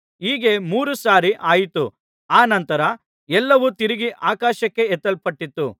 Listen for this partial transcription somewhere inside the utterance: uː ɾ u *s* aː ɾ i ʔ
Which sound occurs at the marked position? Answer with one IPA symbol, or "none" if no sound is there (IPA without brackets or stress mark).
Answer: s